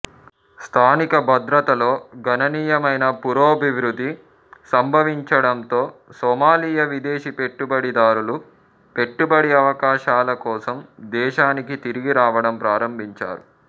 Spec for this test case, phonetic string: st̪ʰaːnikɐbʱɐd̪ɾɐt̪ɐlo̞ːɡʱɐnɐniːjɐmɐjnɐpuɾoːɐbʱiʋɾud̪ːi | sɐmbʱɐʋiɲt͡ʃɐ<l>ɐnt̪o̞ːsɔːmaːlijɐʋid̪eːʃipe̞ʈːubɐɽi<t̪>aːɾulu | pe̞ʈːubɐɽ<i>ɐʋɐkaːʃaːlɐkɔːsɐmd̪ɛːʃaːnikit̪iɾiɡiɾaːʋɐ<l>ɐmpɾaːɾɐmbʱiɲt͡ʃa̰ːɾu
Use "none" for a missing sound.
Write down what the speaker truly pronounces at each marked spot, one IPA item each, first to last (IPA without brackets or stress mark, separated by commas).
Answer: ɽ, d̪, i, ɽ